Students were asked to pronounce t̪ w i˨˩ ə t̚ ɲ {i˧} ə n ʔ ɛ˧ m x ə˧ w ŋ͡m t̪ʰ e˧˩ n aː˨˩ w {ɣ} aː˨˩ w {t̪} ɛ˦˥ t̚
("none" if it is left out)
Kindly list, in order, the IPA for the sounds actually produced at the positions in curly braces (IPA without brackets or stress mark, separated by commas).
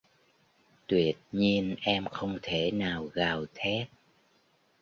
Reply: i˧, ɣ, t̪ʰ